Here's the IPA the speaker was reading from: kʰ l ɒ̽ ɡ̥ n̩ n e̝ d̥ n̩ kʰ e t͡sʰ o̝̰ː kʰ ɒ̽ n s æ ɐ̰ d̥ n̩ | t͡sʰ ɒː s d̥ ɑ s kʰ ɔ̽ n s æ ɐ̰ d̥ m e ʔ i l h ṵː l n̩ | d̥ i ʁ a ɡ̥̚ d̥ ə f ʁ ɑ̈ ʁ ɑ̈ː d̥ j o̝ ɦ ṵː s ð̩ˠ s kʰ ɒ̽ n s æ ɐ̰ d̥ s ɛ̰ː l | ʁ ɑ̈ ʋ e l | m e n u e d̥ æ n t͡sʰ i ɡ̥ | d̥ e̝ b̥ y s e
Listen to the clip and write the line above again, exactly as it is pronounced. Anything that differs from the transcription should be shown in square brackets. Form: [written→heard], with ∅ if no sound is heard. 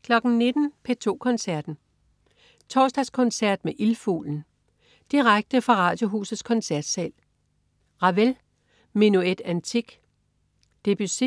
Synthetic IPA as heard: kʰ l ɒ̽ ɡ̥ n̩ n e̝ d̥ n̩ [kʰ→pʰ] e t͡sʰ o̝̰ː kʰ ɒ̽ n s æ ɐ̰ d̥ n̩ | t͡sʰ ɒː s d̥ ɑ s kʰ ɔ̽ n s æ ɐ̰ d̥ m e ʔ i l [h→f] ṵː l n̩ | d̥ i ʁ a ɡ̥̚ d̥ ə f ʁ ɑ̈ ʁ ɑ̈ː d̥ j o̝ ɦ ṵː s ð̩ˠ s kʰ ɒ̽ n s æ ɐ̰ d̥ s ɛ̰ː l | ʁ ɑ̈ ʋ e l | m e n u e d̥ æ n t͡sʰ i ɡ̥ | d̥ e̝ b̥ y s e